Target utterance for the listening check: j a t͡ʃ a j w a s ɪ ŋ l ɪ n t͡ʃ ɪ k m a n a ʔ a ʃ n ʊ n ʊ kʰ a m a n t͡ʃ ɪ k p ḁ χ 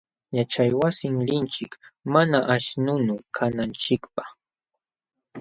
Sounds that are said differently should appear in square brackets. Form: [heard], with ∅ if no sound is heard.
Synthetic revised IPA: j a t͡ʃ a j w a s ɪ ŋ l ɪ n t͡ʃ ɪ k m a n a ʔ a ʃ n ʊ n ʊ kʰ a [n] a n t͡ʃ ɪ k p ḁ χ